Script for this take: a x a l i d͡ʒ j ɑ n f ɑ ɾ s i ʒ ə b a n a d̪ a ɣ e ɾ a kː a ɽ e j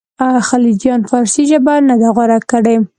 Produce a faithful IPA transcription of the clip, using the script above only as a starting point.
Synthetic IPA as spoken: a x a l i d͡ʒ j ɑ n f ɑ ɾ s i ʒ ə b a n a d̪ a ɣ a ɾ a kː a ɽ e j